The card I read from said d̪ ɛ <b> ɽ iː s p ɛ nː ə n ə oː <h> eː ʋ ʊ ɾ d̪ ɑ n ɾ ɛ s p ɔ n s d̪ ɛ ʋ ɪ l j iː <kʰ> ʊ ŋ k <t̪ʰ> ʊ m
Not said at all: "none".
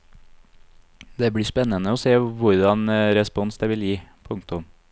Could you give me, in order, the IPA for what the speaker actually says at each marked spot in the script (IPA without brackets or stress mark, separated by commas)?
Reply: b, s, pʰ, t̪